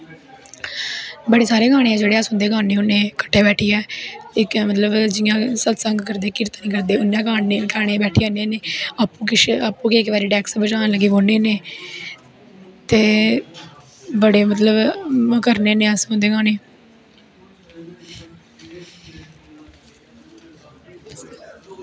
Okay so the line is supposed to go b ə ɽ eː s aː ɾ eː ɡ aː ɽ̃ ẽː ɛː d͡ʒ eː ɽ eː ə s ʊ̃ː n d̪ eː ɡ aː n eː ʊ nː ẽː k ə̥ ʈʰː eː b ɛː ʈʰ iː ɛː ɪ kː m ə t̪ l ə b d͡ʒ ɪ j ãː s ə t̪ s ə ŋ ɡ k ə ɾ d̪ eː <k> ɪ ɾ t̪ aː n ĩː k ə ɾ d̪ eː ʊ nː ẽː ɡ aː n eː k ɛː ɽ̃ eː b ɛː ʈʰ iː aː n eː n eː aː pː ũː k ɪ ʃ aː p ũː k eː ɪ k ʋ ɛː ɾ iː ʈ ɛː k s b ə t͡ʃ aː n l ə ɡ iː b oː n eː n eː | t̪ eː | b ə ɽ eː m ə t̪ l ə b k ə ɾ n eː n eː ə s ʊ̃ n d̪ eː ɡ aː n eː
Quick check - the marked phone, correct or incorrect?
correct